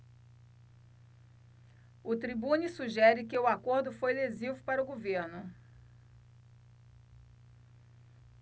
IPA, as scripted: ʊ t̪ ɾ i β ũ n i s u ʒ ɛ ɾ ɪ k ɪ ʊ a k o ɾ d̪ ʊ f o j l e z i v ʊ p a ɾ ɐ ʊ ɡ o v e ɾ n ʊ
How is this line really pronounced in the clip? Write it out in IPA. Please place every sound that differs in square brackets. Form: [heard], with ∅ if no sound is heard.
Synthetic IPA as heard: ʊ t̪ ɾ i [b] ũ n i s u ʒ ɛ ɾ ɪ k ɪ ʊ a k o ɾ d̪ ʊ f o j l e z i v ʊ p a ɾ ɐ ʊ ɡ o v e ɾ n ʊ